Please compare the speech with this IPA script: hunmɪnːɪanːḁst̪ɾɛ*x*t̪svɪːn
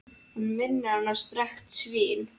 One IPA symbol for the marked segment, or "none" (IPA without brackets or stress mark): x